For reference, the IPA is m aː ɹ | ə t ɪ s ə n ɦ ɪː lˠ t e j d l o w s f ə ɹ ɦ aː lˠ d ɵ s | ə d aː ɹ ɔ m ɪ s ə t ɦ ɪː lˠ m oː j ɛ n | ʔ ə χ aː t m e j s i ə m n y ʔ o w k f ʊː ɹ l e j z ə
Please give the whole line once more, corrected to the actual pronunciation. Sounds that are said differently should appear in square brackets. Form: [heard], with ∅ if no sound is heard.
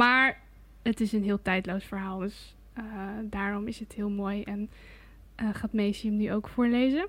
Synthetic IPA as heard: m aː ɹ | ə t ɪ s ə n ɦ ɪː lˠ t [ɛ] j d l o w s f ə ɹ ɦ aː lˠ d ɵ s | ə d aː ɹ ɔ m ɪ s ə t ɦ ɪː lˠ m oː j ɛ n | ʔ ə χ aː t m e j s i ə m n y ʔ o w k f ʊː ɹ l e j z ə